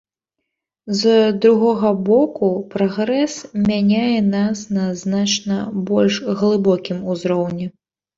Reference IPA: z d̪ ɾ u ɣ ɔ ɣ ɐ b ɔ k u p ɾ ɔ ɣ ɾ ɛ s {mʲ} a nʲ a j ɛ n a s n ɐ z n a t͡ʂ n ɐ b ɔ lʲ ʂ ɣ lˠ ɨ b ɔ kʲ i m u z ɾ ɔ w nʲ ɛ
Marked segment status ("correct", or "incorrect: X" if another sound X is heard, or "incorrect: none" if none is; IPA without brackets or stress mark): correct